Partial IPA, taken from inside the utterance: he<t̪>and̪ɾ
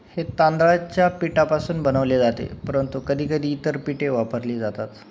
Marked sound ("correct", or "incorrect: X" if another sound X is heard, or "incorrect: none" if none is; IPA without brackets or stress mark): correct